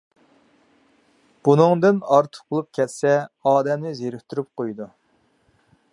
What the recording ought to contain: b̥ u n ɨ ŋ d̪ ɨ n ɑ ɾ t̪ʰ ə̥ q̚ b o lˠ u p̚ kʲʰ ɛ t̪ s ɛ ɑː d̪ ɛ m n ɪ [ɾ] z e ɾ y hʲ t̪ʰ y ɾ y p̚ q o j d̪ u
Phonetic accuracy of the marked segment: incorrect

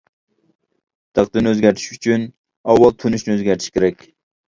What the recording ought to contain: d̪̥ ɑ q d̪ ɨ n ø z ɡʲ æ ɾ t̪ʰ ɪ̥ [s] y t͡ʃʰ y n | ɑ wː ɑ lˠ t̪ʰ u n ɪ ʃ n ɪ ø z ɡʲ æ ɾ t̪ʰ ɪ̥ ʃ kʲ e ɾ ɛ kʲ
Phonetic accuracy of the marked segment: incorrect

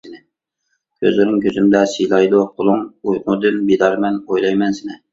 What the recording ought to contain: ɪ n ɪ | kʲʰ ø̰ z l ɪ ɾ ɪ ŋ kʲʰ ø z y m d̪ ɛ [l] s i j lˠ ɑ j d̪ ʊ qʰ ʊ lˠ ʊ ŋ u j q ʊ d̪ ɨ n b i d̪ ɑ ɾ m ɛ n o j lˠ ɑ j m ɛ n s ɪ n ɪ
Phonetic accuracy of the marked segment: incorrect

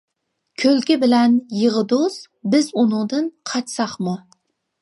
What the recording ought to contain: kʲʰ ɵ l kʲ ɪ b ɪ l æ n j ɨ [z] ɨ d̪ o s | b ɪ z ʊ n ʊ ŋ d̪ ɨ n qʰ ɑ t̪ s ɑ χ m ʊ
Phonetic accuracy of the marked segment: incorrect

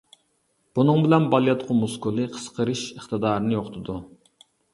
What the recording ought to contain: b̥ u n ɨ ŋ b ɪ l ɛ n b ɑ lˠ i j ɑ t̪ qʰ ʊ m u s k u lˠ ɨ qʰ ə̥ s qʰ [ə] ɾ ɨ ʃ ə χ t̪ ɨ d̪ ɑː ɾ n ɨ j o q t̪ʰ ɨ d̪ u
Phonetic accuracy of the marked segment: correct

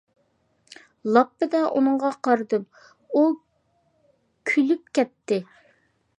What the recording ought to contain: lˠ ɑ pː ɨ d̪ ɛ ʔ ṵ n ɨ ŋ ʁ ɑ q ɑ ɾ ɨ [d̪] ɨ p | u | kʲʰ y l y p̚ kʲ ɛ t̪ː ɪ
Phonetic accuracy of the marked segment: correct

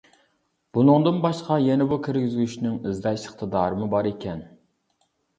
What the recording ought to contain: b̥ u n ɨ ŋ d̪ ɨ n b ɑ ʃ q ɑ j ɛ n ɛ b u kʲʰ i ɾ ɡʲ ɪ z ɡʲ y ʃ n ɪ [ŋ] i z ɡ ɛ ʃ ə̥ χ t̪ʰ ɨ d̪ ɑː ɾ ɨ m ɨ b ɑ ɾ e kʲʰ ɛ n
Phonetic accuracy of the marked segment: correct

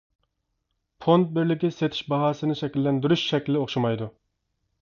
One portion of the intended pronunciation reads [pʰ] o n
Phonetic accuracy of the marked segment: correct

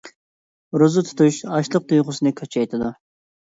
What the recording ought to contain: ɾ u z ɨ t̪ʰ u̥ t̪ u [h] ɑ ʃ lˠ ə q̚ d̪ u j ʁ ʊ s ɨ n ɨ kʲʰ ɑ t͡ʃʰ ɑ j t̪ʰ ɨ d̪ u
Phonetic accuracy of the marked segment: incorrect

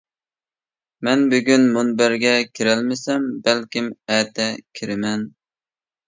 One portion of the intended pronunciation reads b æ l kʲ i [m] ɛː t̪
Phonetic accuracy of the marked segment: correct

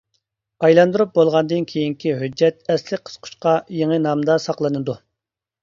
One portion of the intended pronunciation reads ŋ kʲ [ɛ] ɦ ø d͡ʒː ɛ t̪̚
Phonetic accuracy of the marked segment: incorrect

